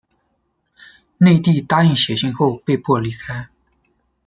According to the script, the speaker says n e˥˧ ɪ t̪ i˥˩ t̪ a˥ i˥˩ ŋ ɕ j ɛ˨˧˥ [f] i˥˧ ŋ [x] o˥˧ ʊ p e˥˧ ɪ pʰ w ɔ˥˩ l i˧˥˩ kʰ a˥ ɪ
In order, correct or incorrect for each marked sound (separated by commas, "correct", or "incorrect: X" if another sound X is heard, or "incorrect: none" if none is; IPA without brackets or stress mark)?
incorrect: ɕ, correct